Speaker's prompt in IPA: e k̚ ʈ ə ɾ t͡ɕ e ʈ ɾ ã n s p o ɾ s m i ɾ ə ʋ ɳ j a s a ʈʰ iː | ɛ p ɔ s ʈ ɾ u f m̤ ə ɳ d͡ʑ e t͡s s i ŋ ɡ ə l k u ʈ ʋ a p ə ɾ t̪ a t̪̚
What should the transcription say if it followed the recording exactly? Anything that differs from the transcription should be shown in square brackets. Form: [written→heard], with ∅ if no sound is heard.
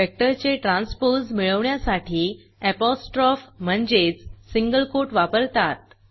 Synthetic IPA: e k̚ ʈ ə ɾ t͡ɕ e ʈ ɾ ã n s p o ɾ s m i [ɾ→ɭ] ə ʋ ɳ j a s a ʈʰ iː | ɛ p ɔ s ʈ ɾ [u→ɔ] f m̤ ə ɳ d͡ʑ e t͡s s i ŋ ɡ ə l k [u→o] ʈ ʋ a p ə ɾ t̪ a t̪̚